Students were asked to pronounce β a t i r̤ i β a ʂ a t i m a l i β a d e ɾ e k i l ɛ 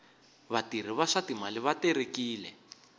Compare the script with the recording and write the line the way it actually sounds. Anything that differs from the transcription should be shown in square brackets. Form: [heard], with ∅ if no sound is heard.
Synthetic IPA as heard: β a t i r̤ i β a ʂ a t i m a l i β a [t] e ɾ e k [iː] l ɛ